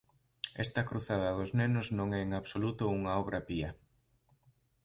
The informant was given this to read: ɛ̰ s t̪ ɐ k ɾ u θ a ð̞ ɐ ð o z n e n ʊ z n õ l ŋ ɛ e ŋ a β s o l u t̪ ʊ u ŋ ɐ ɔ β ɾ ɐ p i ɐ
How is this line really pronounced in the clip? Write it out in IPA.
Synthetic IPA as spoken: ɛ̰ s t̪ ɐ k ɾ u θ a ð̞ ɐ ð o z n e n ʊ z n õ ŋ ɛ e ŋ a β s o l u t̪ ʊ u ŋ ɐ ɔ β ɾ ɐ p i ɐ